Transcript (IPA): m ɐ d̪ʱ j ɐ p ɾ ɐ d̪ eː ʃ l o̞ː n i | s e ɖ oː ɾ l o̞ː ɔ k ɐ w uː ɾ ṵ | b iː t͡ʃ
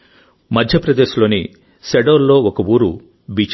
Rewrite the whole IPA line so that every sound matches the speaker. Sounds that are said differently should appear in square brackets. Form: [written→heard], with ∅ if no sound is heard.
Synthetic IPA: m ɐ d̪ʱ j ɐ p ɾ ɐ d̪ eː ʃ l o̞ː n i | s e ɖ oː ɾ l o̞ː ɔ k ɐ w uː ɾ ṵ | b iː t͡ʃ